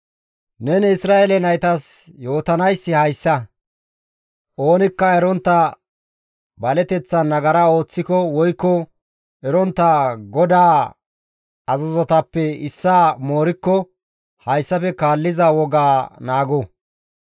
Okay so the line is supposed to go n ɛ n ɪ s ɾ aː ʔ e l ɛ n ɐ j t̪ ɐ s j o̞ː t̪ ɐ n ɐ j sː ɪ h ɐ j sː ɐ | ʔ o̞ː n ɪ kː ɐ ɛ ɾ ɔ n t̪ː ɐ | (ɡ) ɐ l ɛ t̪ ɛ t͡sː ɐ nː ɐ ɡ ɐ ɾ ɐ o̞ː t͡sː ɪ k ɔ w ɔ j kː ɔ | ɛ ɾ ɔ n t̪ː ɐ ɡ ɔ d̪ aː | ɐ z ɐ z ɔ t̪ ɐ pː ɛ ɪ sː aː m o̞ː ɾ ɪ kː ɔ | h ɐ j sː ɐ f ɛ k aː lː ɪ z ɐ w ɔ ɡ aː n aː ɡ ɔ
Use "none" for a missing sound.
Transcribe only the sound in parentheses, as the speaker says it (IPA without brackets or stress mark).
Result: b